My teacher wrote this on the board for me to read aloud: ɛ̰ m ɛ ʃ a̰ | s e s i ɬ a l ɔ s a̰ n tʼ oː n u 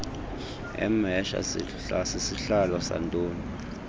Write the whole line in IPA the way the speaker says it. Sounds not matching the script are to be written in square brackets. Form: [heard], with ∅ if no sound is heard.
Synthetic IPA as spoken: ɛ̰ m ɛ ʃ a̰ | s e s i ɬ a l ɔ s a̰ n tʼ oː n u